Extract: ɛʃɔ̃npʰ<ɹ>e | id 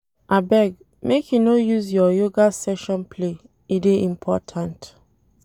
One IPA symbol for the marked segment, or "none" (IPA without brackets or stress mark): l